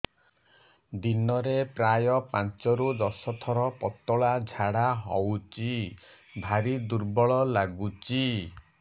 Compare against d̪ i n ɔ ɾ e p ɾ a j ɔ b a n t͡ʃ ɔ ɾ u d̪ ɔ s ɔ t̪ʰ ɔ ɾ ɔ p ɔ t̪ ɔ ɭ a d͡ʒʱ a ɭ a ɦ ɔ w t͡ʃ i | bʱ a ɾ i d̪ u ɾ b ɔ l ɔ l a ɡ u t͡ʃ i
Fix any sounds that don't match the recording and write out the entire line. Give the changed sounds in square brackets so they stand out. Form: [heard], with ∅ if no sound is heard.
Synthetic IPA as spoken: d̪ i n ɔ ɾ e p ɾ a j ɔ [p] a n t͡ʃ ɔ ɾ u d̪ ɔ s ɔ t̪ʰ ɔ ɾ ɔ p ɔ t̪ ɔ ɭ a d͡ʒʱ a [ɽ] a ɦ ɔ w t͡ʃ i | bʱ a ɾ i d̪ u ɾ b ɔ [ɭ] ɔ l a ɡ u t͡ʃ i